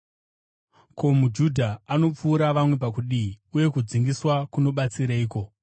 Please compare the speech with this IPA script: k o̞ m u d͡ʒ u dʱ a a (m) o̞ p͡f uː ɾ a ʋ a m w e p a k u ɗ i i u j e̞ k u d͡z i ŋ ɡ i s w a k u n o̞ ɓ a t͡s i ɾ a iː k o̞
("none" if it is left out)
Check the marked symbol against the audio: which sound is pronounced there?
n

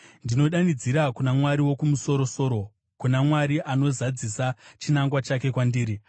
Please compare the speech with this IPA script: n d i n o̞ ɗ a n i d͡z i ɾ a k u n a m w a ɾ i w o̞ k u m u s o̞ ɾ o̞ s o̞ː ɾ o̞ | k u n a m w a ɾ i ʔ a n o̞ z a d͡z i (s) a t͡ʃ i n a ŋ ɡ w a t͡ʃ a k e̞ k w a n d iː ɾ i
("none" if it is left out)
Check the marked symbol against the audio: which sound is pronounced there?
s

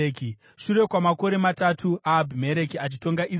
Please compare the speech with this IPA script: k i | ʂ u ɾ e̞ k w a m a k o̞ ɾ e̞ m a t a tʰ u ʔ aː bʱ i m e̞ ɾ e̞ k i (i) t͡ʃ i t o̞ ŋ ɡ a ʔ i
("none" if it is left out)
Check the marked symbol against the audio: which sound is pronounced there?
a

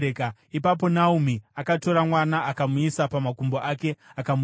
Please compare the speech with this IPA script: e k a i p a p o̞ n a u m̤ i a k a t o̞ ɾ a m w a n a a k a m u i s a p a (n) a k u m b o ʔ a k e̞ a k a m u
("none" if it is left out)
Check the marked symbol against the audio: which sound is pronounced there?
m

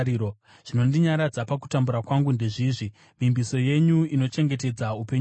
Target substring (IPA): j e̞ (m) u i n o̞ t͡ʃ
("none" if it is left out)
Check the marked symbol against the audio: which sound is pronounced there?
ɲ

